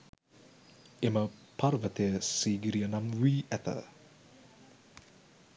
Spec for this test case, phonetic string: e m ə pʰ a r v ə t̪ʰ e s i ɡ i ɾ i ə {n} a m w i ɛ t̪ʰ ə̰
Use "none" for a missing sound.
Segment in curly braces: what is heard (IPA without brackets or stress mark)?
n